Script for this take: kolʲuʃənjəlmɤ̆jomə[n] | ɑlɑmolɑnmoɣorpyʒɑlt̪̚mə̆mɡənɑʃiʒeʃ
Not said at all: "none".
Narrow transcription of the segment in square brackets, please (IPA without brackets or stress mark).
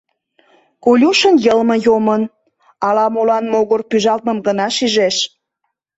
n